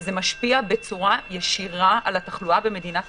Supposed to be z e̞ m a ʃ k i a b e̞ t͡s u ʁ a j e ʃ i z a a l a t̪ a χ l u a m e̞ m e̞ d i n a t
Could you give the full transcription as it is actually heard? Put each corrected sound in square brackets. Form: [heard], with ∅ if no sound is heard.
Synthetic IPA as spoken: z e̞ m a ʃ [p] i a b e̞ t͡s u ʁ a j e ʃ i [ʁ] a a l a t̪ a χ l u a [b] e̞ m e̞ d i n a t